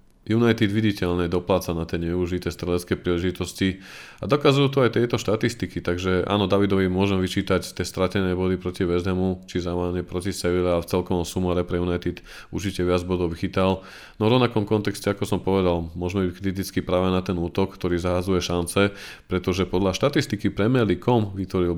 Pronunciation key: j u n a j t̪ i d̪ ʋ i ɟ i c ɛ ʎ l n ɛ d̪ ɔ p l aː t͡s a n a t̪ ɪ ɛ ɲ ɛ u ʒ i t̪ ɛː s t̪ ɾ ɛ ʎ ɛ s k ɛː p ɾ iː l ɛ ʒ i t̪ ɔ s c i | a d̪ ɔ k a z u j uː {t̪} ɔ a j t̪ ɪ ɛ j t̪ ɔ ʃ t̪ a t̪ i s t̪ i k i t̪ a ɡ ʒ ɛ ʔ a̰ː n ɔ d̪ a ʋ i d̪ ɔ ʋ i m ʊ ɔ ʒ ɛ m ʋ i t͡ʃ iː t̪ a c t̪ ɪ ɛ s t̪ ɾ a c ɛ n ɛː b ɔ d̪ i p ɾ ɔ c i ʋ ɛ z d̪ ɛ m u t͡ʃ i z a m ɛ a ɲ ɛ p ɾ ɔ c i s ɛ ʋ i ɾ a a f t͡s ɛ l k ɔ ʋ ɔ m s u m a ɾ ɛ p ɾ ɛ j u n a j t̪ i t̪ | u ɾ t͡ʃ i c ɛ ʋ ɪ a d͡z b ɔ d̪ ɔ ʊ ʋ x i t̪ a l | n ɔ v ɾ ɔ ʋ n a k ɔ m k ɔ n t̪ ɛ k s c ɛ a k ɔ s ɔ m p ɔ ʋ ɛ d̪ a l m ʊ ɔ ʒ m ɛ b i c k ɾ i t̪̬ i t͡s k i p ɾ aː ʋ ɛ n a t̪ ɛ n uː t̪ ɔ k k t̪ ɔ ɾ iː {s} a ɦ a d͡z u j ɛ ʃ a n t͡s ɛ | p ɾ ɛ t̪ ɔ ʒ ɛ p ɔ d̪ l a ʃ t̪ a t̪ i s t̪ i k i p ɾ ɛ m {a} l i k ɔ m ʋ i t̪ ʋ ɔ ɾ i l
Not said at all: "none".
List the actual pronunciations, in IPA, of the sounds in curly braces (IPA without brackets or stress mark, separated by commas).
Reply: t̪, z, ɛ